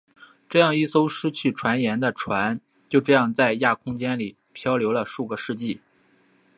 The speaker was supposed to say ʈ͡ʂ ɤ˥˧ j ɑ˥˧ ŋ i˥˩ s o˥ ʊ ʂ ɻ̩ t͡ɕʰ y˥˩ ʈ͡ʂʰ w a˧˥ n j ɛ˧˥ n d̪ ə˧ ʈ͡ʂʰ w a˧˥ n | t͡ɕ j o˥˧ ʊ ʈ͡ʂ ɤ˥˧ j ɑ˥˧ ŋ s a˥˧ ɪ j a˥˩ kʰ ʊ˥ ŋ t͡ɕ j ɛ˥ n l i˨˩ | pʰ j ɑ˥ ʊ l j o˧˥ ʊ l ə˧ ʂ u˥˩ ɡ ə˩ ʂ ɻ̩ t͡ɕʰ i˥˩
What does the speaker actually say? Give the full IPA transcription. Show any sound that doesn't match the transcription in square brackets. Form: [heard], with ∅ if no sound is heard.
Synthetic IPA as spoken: ʈ͡ʂ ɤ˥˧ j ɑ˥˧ ŋ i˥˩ s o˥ ʊ ʂ ɻ̩ t͡ɕʰ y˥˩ ʈ͡ʂʰ w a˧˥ n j ɛ˧˥ n d̪ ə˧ ʈ͡ʂʰ w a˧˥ n | t͡ɕ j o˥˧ ʊ ʈ͡ʂ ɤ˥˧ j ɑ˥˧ ŋ [t͡s] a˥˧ ɪ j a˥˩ kʰ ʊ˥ ŋ t͡ɕ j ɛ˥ n l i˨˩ | pʰ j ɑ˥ ʊ l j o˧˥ ʊ l ə˧ ʂ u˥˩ ɡ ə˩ ʂ ɻ̩ [t͡ɕ] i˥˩